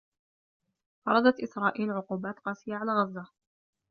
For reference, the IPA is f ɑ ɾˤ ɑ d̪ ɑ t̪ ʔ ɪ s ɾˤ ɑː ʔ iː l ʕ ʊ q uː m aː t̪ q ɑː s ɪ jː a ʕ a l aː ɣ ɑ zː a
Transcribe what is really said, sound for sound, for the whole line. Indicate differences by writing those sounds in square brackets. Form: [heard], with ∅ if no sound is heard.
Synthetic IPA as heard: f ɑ ɾˤ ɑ d̪ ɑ t̪ ʔ ɪ s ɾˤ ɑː ʔ iː l ʕ ʊ q uː [b] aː t̪ q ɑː s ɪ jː a ʕ a l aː ɣ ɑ zː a

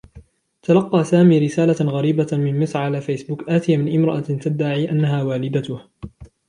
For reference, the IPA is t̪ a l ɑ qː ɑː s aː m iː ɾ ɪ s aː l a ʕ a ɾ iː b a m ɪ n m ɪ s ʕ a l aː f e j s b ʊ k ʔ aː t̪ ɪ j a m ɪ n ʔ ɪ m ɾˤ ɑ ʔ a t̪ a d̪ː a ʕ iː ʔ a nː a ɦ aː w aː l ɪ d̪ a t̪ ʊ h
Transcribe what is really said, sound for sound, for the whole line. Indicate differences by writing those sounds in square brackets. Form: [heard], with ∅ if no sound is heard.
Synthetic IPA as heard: t̪ a l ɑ qː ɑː s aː m iː ɾ ɪ s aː l a [ɣ] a ɾ iː b a m ɪ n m ɪ s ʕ a l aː f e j s b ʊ k ʔ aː t̪ ɪ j a m ɪ n ʔ ɪ m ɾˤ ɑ ʔ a t̪ a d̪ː a ʕ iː ʔ a nː a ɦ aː w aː l ɪ d̪ a t̪ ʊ h

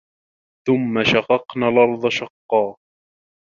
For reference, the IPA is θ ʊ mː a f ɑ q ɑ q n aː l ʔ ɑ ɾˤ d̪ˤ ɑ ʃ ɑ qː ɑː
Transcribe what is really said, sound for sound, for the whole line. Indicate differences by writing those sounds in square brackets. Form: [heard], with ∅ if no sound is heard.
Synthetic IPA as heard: θ ʊ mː a [ʃ] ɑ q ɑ q n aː l ʔ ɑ ɾˤ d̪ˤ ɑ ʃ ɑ qː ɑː

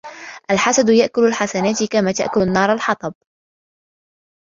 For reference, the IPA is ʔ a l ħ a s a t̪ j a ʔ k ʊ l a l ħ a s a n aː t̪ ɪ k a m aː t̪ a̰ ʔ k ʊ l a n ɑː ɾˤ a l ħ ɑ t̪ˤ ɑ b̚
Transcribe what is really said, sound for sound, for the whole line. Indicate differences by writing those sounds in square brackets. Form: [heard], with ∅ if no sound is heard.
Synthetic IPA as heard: ʔ a l ħ a s a [d̪] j a ʔ k ʊ l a l ħ a s a n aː t̪ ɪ k a m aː t̪ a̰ ʔ k ʊ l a [nː] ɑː ɾˤ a l ħ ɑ t̪ˤ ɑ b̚

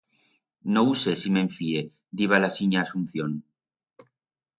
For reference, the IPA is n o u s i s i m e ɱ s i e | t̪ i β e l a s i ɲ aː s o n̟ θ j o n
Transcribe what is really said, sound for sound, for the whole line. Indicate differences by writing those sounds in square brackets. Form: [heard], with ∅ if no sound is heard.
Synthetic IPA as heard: n o u s [e] s i m e ɱ [f] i e | [d̪] i β [a] l a s i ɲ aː s [u] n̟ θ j o n

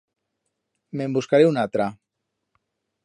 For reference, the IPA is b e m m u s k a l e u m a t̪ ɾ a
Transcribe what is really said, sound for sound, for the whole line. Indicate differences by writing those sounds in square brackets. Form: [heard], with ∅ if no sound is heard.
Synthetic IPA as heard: [m] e m [b] u s k a [ɾ] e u [n] a t̪ ɾ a

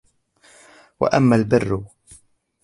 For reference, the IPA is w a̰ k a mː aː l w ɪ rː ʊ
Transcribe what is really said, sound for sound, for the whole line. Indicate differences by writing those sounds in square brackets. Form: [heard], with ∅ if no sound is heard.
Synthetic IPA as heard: w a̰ [ʔ] a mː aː l [b] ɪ rː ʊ

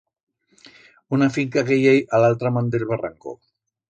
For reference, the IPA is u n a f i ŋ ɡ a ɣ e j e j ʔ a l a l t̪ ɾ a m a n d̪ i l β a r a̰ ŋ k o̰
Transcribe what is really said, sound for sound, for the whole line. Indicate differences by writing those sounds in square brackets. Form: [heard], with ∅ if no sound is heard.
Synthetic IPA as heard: u n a f i ŋ [k] a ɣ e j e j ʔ a l a l t̪ ɾ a m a n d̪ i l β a r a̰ ŋ k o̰

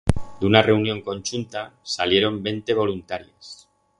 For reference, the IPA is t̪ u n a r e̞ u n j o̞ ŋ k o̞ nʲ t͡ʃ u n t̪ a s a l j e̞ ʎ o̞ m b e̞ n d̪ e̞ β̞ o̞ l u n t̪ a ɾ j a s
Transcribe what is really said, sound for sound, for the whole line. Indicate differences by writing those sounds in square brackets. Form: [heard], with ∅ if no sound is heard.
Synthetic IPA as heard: [d̪] u n a r e̞ u n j o̞ ŋ k o̞ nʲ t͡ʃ u n t̪ a s a l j e̞ [ɾ] o̞ m b e̞ n [t̪] e̞ β̞ o̞ l u n t̪ a ɾ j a s

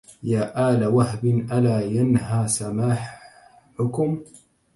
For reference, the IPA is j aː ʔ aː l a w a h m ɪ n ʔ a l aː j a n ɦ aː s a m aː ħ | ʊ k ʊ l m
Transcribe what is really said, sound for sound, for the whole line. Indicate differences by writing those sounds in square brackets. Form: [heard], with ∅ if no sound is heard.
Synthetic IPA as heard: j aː ʔ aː l a w a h [b] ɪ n ʔ a l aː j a n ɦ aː s a m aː ħ | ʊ k ʊ [∅] m

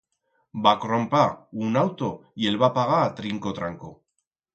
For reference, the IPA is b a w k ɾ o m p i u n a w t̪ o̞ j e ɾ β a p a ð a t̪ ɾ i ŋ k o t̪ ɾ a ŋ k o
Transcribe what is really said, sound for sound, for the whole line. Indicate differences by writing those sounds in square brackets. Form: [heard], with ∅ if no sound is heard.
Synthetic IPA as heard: b a [∅] k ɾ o m p [a] u n a w t̪ o̞ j e [l] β a p a [ɣ] a t̪ ɾ i ŋ k o t̪ ɾ a ŋ k o

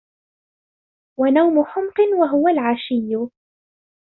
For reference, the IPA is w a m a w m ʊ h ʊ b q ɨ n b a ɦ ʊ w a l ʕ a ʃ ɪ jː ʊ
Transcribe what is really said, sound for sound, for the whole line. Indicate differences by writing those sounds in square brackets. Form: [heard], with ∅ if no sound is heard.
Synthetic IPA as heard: w a [n] a w m ʊ [ħ] ʊ [m] q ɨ n [w] a ɦ ʊ w a l ʕ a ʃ ɪ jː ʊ

